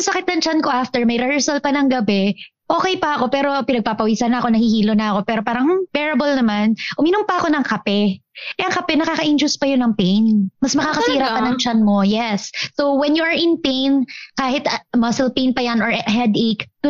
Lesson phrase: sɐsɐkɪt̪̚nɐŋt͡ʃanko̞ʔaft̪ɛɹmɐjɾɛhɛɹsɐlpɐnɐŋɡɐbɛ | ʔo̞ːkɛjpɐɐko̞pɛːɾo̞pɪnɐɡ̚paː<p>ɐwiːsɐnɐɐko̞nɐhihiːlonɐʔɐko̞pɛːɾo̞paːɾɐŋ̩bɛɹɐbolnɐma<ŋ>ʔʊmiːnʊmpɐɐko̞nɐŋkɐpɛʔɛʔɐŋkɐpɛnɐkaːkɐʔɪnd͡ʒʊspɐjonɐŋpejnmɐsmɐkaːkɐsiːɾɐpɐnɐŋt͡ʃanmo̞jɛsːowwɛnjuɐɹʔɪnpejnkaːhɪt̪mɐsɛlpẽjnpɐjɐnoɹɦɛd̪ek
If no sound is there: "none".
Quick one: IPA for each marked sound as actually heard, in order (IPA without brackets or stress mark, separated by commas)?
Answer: p, n